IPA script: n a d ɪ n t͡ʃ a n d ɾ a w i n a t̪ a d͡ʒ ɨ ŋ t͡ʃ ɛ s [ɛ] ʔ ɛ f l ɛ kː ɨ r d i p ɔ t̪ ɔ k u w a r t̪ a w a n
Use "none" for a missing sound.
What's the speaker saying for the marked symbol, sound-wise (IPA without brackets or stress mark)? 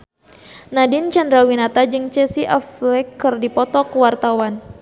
i